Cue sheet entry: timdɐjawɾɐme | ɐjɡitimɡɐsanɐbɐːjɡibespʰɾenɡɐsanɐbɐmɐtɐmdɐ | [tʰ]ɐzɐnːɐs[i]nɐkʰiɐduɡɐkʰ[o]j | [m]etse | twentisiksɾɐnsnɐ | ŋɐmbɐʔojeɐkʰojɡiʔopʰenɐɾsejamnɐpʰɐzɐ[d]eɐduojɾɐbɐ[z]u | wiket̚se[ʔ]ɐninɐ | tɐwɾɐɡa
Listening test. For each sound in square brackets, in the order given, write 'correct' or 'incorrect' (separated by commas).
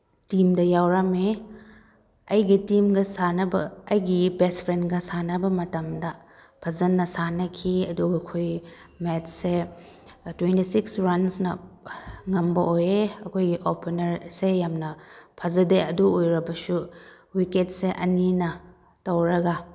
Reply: incorrect, incorrect, correct, correct, correct, incorrect, correct